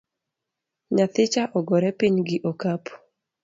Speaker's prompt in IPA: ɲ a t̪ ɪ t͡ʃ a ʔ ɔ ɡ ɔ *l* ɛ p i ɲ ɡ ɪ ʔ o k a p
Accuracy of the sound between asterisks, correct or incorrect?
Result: incorrect